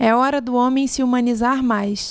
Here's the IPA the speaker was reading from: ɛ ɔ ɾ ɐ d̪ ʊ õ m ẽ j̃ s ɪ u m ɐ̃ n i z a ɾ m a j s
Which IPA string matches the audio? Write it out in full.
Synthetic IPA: ɛ ɔ ɾ ɐ d̪ ʊ õ m ẽ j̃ s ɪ u m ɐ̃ n i z a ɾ m a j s